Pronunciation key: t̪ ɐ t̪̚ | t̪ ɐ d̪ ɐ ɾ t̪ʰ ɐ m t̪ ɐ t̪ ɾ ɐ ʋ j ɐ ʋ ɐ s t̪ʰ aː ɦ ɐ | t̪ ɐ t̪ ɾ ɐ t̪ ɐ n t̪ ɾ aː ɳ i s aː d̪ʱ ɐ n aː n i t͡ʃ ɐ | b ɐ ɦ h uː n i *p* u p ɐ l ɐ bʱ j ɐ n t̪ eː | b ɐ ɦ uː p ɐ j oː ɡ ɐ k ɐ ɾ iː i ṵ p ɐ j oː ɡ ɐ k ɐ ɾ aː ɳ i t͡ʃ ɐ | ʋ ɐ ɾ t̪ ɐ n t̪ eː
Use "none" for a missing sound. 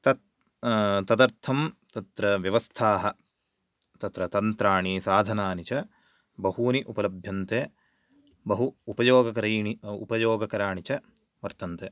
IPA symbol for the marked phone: ʔ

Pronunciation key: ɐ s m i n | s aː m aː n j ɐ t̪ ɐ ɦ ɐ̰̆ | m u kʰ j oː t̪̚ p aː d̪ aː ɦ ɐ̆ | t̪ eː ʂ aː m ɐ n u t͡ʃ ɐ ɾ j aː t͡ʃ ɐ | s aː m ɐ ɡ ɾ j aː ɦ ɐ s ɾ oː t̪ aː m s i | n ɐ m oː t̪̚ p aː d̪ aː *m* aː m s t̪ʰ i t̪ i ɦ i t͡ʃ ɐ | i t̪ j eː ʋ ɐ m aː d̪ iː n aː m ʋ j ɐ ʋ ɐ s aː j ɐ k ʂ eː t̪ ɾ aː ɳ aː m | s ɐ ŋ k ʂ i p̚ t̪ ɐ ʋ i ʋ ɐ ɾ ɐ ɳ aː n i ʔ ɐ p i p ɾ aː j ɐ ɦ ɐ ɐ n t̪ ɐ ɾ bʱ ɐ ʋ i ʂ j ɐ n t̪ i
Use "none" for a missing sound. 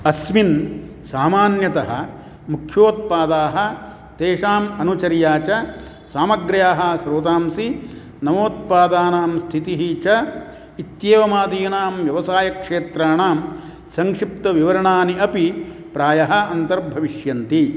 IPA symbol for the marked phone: n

